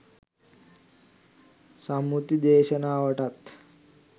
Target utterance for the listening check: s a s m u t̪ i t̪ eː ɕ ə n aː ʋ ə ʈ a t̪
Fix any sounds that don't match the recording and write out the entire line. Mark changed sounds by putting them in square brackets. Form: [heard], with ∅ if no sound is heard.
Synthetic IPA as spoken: s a [∅] m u t̪ i [d̪] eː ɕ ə n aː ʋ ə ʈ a t̪